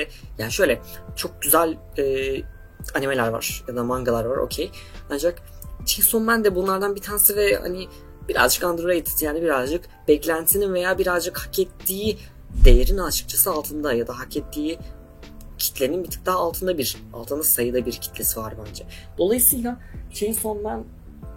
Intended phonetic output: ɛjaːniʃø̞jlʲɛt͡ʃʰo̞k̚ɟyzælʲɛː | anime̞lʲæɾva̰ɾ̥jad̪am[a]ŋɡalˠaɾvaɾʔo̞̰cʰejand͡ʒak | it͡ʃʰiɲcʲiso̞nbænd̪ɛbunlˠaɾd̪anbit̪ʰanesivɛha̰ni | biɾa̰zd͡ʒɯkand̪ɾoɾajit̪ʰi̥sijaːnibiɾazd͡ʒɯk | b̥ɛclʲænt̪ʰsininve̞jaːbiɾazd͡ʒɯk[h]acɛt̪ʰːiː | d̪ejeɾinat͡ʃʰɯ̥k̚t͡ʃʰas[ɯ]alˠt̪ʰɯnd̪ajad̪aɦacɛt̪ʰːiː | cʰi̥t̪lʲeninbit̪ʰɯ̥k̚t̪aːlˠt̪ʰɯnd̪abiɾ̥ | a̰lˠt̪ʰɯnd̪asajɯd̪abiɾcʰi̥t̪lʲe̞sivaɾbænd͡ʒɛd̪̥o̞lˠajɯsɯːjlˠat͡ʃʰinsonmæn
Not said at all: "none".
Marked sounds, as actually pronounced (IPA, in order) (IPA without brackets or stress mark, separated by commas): a, h, ɯ